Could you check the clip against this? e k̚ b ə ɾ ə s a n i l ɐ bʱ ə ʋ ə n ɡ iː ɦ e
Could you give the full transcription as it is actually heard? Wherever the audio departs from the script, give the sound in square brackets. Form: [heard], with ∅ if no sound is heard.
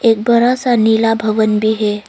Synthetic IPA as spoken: e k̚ b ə ɾ [a] s a n i l [a] bʱ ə ʋ ə n [b] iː ɦ e